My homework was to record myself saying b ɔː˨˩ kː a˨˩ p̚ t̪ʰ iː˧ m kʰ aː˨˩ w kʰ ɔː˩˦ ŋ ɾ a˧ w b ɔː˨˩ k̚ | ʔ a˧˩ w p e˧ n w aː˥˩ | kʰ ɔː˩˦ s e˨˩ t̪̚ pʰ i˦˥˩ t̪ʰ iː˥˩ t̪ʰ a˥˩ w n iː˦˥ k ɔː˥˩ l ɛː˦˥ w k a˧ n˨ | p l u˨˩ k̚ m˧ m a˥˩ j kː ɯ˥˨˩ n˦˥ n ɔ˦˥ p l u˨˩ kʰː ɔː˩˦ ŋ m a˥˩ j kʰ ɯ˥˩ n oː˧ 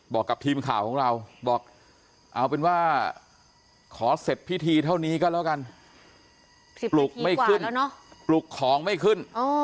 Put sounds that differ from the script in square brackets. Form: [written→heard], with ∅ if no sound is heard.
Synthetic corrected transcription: b ɔː˨˩ kː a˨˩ p̚ t̪ʰ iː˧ m kʰ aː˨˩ w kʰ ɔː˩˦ ŋ ɾ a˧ w b ɔː˨˩ k̚ | ʔ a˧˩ w p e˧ n w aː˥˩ | kʰ ɔː˩˦ s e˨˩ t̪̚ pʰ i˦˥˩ t̪ʰ [iː˥˩→iː˧] t̪ʰ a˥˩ w n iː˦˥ k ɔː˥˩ l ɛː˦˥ w k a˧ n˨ | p l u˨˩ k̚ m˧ m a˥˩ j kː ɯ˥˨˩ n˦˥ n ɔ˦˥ p l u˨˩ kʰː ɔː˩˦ ŋ m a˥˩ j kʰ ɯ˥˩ n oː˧